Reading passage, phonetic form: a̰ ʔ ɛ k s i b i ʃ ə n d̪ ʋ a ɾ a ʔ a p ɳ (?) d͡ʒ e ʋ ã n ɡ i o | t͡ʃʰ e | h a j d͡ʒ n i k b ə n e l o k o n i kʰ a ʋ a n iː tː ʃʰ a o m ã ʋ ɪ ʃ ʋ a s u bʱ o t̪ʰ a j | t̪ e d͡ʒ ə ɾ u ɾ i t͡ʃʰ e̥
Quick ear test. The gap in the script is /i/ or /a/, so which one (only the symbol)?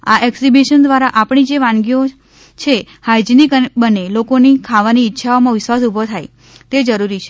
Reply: i